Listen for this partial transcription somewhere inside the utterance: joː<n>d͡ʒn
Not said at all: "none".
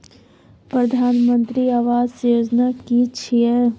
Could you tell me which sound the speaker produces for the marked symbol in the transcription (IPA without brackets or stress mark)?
none